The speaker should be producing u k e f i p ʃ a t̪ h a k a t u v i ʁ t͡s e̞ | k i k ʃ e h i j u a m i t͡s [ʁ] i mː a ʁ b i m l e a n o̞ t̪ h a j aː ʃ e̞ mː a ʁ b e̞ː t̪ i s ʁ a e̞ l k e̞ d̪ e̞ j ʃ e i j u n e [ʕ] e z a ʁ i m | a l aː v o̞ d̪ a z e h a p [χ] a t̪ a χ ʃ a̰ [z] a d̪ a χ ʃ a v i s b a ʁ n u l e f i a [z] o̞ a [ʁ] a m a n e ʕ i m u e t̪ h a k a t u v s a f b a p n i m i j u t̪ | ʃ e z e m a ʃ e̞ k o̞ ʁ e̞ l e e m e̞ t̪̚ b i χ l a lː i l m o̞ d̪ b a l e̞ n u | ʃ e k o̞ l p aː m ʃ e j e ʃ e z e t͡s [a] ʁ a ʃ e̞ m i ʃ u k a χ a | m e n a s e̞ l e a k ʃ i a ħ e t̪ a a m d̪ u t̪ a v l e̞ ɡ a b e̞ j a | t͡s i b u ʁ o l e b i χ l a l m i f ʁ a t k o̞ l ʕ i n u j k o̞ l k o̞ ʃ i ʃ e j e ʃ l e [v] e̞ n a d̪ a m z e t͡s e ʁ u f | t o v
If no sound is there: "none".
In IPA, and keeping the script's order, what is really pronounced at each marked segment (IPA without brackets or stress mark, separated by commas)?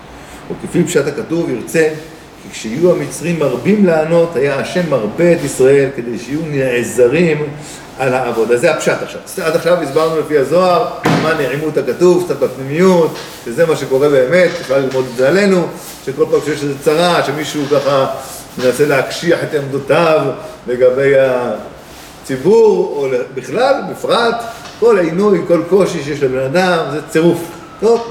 ʁ, ʕ, ʃ, v, z, ʁ, a, b